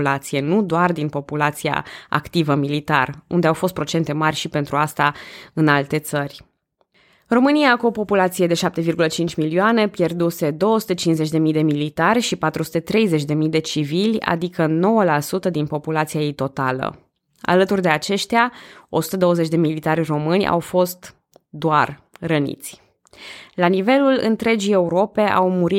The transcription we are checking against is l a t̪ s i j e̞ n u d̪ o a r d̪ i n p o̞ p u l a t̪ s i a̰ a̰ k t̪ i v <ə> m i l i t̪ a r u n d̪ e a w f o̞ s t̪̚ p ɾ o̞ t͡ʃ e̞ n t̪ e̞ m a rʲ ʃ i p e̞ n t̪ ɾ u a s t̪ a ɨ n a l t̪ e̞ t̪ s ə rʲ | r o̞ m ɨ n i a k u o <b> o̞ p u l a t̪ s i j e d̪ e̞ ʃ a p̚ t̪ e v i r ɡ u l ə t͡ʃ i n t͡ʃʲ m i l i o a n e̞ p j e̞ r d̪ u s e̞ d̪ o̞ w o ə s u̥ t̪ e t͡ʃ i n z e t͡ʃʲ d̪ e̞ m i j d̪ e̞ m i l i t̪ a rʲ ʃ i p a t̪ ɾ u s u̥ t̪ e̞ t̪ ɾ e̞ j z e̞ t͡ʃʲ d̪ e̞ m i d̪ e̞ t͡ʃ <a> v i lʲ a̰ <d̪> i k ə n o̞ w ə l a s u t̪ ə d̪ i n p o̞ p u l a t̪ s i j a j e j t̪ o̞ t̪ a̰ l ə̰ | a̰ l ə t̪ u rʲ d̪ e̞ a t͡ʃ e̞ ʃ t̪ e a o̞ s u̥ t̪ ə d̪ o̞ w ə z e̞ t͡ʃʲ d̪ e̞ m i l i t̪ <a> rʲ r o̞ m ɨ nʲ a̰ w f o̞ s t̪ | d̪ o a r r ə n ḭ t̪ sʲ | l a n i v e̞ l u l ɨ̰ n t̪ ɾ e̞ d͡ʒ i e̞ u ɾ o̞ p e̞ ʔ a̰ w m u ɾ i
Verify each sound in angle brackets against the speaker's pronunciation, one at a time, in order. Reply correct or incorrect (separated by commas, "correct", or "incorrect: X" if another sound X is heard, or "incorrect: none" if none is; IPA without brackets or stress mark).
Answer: correct, incorrect: p, incorrect: i, correct, correct